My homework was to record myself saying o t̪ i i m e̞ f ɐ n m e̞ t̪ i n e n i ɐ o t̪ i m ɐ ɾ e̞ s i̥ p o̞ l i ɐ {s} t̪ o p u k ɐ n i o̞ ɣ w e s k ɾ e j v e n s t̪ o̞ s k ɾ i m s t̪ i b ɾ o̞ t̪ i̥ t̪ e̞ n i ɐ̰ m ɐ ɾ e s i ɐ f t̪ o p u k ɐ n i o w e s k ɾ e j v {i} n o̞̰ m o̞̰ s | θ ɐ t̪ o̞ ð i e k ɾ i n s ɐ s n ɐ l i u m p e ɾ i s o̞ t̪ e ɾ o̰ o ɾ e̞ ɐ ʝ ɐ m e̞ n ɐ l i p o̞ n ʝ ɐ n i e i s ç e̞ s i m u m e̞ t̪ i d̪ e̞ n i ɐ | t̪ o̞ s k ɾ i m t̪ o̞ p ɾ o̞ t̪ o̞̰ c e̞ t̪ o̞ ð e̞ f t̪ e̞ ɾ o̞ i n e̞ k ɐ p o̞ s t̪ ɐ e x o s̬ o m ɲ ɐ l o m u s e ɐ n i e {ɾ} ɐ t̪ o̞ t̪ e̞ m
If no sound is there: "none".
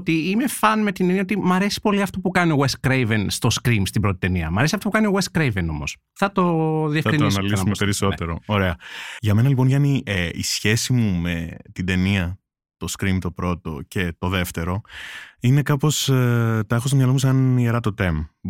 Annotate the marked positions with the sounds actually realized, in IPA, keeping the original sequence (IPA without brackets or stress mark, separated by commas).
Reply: f, e, ɾ